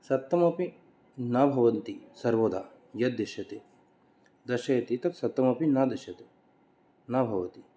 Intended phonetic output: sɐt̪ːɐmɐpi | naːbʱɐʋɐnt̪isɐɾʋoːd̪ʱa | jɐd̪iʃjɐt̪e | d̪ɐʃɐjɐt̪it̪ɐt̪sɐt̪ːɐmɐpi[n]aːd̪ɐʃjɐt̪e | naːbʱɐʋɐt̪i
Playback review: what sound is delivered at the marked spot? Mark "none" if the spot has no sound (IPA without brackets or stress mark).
n